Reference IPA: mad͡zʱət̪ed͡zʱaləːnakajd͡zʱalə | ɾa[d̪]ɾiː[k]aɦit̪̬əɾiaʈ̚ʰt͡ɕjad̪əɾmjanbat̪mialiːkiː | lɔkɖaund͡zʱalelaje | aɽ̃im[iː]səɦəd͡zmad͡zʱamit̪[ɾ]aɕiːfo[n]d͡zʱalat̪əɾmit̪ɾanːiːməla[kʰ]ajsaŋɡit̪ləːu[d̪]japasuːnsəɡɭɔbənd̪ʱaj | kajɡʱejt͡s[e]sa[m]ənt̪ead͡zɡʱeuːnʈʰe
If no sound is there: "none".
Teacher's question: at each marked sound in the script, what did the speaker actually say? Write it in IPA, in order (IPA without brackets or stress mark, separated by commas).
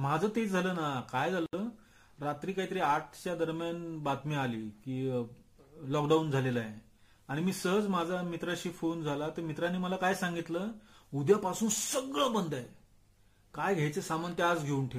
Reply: t̪, k, iː, ɾ, n, k, d̪, e, m